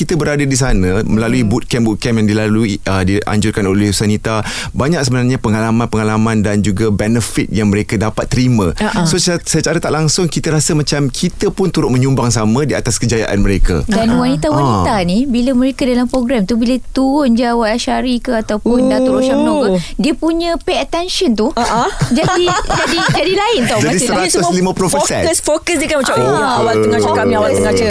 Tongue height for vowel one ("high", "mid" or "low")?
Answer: high